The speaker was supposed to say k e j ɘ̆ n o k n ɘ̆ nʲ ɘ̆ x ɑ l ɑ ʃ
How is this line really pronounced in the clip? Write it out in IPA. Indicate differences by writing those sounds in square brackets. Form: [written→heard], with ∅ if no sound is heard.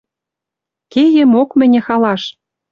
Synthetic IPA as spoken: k e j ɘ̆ [n→m] o k [n→m] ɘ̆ nʲ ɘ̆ x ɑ l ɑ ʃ